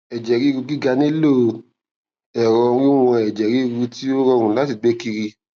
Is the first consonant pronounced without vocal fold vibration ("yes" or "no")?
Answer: no